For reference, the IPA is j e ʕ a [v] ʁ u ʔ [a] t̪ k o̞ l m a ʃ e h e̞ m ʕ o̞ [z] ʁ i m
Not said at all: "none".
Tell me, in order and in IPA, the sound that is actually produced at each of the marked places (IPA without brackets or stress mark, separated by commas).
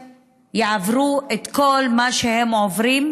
v, e, v